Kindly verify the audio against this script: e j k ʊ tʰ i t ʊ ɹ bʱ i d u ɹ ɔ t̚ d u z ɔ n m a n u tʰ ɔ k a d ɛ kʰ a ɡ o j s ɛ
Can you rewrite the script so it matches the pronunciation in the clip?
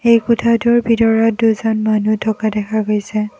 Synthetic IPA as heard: e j k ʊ tʰ a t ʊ ɹ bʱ i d ɔ ɹ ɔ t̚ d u z ɔ n m a n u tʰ ɔ k a d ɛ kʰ a ɡ o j s ɛ